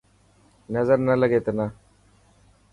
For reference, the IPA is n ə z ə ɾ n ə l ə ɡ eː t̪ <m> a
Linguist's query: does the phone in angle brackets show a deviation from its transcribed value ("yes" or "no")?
yes